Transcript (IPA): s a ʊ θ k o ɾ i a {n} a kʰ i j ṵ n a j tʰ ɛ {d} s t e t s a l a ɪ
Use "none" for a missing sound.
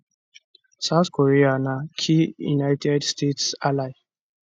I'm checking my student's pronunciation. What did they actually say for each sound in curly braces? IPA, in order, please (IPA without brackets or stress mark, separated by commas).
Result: n, d